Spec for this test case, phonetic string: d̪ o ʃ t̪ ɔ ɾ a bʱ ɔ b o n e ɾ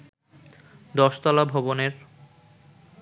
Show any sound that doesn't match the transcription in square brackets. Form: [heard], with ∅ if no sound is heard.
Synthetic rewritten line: d̪ [ɔ] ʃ t̪ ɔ [l] a bʱ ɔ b o n e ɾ